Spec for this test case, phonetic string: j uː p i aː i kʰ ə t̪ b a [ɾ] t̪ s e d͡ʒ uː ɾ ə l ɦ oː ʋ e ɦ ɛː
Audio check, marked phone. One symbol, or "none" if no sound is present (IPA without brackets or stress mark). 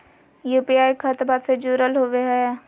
none